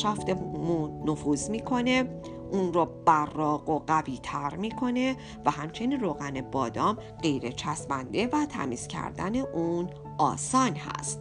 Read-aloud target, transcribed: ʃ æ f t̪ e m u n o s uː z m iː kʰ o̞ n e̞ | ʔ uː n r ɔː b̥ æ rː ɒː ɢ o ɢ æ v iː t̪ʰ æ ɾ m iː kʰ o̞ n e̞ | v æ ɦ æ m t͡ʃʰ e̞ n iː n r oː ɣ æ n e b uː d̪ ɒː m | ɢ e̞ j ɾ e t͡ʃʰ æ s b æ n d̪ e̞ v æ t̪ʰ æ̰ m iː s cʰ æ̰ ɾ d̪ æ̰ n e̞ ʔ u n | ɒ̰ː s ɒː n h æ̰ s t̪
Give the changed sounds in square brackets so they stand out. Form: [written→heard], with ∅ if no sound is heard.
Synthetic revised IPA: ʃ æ f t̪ e m u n o [s→f] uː z m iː kʰ o̞ n e̞ | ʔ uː n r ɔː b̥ æ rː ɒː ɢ o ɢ æ v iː t̪ʰ æ ɾ m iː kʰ o̞ n e̞ | v æ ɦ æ m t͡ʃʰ e̞ n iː n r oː ɣ æ n e b [uː→ɒː] d̪ ɒː m | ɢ e̞ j ɾ e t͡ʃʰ æ s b æ n d̪ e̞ v æ t̪ʰ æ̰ m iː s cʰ æ̰ ɾ d̪ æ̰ n e̞ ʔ u n | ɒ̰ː s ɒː n h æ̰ s t̪